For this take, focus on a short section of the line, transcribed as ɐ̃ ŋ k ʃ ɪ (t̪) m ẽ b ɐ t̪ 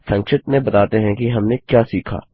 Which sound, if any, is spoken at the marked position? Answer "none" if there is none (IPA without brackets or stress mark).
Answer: t̪